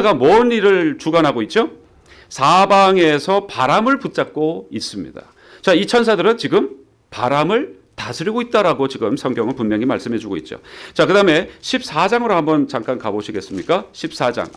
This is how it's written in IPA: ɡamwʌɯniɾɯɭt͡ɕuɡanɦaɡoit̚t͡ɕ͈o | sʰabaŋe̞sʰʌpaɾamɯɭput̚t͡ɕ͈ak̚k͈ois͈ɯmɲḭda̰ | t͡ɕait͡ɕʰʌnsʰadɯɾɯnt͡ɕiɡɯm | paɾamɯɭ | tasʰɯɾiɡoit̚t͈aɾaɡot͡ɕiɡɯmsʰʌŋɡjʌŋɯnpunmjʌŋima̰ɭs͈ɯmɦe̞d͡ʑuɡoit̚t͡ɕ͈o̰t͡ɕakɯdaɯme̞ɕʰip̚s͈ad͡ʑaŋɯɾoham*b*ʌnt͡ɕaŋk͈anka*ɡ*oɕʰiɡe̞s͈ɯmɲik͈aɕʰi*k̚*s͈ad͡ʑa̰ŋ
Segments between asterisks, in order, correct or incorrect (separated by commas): correct, incorrect, incorrect